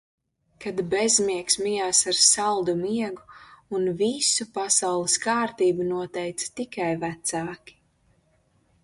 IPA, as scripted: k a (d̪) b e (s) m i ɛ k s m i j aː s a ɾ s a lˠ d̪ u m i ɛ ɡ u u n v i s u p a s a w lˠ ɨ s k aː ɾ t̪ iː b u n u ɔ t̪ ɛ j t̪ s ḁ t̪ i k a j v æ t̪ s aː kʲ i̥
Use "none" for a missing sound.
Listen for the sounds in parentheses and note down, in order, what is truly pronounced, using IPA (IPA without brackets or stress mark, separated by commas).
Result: d̪, z